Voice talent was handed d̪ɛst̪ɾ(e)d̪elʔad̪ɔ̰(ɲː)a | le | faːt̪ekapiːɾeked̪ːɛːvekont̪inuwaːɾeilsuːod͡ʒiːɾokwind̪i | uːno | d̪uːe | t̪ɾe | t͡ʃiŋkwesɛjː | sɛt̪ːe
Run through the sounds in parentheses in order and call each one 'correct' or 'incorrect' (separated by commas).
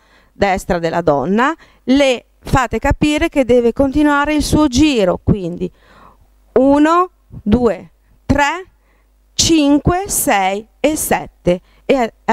incorrect, incorrect